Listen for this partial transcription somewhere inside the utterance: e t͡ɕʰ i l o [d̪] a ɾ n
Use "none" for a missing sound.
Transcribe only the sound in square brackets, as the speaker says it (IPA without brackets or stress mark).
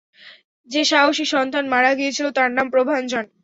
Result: t̪